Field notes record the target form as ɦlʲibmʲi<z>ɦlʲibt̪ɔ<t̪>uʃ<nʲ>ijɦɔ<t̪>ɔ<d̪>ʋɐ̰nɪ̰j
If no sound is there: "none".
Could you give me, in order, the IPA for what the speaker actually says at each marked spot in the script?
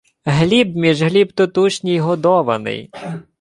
ʒ, t̪, nʲ, d̪, none

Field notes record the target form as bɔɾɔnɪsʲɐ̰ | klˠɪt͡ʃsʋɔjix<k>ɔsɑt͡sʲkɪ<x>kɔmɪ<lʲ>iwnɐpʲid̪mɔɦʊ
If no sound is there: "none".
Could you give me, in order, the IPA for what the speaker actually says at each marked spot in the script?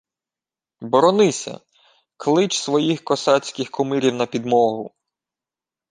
k, x, ɾʲ

